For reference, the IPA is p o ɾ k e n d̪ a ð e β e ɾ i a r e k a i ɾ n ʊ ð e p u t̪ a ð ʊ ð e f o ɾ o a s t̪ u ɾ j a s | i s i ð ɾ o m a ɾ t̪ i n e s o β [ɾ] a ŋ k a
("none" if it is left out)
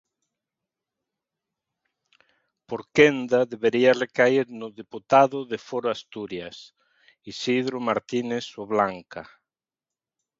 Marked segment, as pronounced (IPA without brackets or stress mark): l